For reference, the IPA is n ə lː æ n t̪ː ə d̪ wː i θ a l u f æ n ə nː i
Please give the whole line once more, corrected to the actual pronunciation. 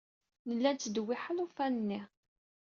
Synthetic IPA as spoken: n ə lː æ n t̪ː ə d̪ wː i ħ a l u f æ n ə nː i

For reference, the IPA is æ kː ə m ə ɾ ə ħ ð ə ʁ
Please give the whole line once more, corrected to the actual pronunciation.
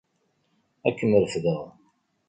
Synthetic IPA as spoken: æ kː ə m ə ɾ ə f ð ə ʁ

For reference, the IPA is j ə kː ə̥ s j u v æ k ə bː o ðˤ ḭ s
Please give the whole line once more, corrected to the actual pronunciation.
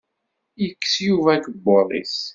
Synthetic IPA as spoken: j ə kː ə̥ s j u v æ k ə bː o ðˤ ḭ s

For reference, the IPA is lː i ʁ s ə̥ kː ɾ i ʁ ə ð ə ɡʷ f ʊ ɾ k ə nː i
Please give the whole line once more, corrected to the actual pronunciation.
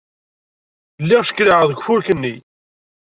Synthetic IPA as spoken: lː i ʁ ʃ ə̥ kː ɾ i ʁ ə ð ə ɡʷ f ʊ ɾ k ə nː i

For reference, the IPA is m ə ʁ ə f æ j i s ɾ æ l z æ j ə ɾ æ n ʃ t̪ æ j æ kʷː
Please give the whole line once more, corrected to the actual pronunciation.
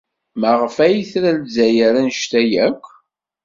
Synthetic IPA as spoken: m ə ʁ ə f æ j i θ ɾ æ l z æ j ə ɾ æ n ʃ t̪ æ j æ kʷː

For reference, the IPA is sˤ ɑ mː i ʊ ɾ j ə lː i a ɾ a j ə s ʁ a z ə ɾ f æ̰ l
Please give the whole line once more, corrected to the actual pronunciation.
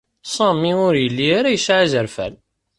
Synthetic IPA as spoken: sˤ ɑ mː i ʊ ɾ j ə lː i a ɾ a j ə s ʕ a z ə ɾ f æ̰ l

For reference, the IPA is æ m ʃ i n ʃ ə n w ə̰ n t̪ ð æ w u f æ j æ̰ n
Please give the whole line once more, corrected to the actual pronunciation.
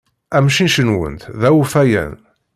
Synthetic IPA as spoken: æ m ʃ i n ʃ ə n w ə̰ n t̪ ð æ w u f æ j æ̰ n

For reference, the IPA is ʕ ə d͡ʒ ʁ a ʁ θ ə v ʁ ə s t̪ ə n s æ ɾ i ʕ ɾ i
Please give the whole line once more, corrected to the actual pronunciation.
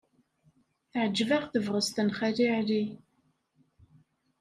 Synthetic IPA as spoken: ʕ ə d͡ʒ v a ʁ θ ə v ʁ ə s t̪ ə n χ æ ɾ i ʕ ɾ i

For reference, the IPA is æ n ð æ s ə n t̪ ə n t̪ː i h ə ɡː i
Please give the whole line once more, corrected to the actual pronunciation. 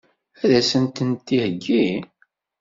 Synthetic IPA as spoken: æ ð æ s ə n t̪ ə n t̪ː i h ə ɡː i

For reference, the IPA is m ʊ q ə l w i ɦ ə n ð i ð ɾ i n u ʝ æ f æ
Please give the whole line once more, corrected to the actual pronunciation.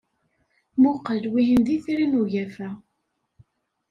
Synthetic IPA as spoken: m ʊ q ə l w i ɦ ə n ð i θ ɾ i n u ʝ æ f æ

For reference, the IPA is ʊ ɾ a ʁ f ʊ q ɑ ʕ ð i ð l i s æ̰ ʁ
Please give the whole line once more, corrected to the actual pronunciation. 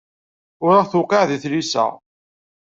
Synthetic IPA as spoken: ʊ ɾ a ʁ θ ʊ q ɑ ʕ ð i θ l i s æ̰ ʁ

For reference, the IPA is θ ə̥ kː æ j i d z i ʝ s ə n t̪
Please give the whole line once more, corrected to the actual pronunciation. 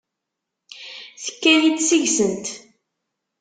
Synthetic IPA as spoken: θ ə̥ kː æ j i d s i ʝ s ə n t̪

